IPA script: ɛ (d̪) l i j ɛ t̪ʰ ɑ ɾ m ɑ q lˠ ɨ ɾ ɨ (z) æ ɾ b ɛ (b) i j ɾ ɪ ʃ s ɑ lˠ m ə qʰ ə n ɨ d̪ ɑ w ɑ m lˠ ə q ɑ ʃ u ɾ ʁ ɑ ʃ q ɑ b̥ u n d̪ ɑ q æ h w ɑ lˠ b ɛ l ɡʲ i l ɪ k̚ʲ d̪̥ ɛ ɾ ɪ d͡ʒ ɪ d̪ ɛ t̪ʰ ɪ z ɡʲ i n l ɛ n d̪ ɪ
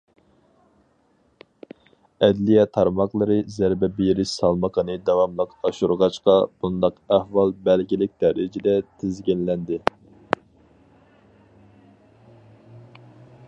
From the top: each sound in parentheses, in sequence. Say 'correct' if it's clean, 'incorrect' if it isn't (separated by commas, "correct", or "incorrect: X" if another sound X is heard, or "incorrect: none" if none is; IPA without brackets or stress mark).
correct, correct, correct